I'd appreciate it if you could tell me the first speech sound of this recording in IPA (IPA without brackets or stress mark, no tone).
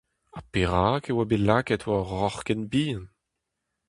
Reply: a